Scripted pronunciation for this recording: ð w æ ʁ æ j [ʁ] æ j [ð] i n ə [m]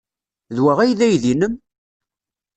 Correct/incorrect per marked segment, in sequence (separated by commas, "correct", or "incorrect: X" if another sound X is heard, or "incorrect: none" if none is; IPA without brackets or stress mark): incorrect: ð, correct, correct